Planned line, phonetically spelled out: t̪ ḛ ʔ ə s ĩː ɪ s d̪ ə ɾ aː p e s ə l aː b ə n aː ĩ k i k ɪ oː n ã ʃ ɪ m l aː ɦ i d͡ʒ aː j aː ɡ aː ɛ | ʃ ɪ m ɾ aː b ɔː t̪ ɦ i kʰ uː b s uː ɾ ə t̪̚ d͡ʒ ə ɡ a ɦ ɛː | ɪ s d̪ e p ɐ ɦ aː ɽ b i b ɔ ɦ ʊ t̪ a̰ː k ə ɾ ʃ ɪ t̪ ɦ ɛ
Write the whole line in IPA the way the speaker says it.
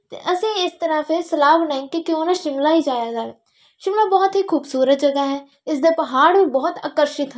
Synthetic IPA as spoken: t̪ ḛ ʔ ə s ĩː ɪ s t̪ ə ɾ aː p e s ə l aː b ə n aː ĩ k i k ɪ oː n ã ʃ ɪ m l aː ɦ i d͡ʒ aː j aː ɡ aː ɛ | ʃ ɪ m l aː b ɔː t̪ ɦ i kʰ uː b s uː ɾ ə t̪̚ d͡ʒ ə ɡ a ɦ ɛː | ɪ s d̪ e p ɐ ɦ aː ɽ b i b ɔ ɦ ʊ t̪ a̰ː k ə ɾ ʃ ɪ t̪ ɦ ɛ